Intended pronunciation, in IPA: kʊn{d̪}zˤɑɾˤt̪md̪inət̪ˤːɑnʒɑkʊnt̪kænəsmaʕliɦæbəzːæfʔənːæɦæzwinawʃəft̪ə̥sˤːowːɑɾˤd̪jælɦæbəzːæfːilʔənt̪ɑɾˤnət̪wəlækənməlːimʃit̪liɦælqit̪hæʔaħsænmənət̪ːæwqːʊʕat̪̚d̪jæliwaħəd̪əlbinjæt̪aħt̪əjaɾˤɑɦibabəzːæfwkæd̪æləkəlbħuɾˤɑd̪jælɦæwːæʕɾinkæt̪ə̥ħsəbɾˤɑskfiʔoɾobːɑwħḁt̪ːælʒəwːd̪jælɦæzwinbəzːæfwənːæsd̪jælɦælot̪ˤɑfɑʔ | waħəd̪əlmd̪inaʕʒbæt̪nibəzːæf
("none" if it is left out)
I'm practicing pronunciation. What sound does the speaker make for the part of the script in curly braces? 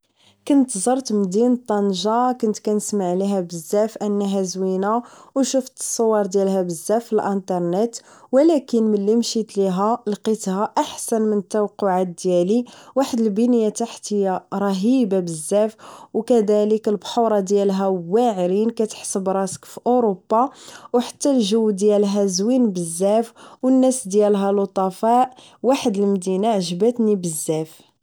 t̪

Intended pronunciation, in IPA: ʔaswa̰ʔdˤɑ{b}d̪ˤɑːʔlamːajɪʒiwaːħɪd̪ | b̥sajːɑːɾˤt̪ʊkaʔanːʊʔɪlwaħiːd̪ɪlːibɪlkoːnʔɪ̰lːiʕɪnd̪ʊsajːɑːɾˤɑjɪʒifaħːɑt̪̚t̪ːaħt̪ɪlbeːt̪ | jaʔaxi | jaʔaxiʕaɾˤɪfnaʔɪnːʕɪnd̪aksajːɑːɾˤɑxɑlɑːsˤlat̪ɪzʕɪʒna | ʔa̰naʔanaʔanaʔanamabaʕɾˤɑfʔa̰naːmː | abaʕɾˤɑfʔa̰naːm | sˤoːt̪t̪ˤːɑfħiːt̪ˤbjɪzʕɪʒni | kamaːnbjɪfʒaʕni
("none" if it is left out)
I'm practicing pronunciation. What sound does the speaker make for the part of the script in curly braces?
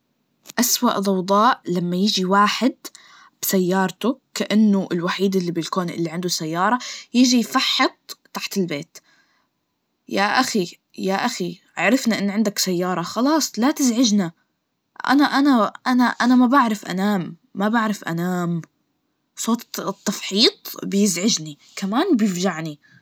w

